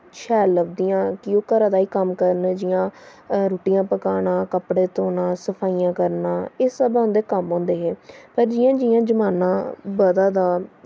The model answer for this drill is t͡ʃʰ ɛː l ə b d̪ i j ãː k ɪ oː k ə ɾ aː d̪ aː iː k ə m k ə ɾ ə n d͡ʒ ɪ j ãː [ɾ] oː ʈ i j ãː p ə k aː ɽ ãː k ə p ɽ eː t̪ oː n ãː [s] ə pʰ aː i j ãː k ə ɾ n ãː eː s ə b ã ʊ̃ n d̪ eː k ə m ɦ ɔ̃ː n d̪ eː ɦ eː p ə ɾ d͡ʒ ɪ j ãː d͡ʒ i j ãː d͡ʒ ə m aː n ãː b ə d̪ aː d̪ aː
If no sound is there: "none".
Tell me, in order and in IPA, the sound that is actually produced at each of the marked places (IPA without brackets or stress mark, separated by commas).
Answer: ɾ, s